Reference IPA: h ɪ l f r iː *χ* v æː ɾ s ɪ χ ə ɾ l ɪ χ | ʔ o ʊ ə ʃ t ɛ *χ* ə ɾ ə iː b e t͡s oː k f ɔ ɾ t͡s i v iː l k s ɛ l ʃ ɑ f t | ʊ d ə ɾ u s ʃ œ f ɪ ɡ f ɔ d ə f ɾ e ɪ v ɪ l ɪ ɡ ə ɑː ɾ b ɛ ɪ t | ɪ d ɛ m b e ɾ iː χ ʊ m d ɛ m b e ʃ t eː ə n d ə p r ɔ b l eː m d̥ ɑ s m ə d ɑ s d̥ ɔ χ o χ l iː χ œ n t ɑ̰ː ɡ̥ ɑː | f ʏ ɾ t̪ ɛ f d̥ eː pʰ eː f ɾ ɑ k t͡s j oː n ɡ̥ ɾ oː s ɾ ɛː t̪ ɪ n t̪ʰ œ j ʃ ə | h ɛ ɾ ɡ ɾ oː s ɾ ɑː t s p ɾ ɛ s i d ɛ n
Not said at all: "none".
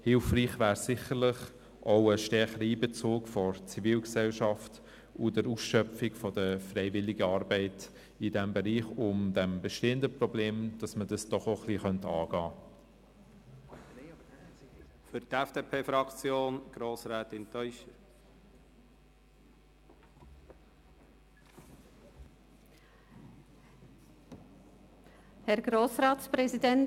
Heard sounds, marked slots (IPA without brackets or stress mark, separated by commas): χ, χ